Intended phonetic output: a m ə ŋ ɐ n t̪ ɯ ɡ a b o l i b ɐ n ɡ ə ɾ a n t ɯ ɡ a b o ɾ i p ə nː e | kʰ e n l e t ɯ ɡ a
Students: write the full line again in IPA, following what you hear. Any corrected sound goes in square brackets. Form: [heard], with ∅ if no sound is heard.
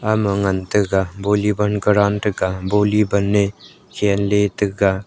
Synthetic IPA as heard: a m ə ŋ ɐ n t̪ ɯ ɡ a b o l i b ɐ n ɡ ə ɾ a n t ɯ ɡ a b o [l] i [b] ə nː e | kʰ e n l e t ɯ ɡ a